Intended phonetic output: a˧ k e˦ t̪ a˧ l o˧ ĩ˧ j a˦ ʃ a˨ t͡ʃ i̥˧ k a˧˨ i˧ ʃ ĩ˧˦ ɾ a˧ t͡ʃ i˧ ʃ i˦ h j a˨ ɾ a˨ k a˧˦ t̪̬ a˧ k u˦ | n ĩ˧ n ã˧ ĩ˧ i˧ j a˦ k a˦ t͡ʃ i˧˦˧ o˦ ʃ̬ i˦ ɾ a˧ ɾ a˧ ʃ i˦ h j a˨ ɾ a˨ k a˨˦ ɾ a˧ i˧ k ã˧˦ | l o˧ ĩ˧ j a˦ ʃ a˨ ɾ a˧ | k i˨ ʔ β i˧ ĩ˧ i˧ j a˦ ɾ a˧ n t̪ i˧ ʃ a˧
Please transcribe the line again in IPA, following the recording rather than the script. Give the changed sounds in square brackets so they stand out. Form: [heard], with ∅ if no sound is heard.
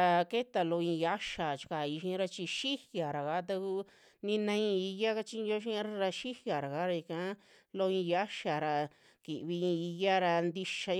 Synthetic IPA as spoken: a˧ k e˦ t̪ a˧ l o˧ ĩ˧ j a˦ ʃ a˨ t͡ʃ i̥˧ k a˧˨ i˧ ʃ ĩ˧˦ ɾ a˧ t͡ʃ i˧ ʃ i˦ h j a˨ ɾ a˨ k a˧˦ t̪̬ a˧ k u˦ | n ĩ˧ n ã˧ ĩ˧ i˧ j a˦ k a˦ t͡ʃ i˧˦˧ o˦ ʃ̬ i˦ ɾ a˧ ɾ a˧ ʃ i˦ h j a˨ ɾ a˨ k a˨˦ ɾ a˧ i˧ k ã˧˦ | l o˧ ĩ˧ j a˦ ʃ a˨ ɾ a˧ | k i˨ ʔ β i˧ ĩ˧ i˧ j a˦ ɾ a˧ n [d̪] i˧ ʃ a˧